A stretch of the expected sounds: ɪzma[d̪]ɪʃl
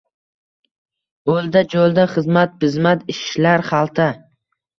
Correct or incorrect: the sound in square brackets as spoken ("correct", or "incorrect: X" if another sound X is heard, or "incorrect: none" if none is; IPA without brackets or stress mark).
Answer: incorrect: t̪